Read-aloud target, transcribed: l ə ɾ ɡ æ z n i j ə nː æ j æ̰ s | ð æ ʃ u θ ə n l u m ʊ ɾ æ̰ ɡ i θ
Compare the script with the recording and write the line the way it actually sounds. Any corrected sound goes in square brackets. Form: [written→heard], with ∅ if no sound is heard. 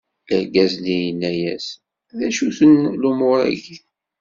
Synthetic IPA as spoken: l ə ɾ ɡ æ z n i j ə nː æ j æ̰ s | ð æ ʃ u θ ə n l u m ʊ ɾ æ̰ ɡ i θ